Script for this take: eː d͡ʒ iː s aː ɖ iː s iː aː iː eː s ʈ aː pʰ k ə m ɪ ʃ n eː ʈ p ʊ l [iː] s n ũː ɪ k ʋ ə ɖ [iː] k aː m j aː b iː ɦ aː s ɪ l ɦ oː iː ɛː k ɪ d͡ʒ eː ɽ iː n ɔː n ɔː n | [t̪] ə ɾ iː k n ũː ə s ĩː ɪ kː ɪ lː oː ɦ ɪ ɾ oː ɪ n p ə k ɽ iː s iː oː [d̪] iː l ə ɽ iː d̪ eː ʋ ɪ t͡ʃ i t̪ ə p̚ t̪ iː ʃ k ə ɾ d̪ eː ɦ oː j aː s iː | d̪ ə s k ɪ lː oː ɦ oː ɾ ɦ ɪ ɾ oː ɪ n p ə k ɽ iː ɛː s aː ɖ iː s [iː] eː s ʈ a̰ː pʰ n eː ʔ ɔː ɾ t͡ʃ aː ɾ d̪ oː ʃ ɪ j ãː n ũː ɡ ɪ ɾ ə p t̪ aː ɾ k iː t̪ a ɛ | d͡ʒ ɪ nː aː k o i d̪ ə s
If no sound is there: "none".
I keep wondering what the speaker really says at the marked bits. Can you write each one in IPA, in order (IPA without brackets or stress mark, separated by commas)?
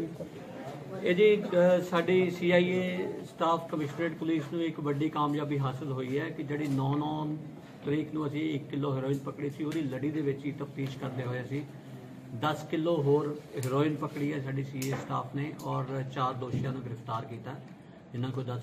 iː, iː, t̪, d̪, iː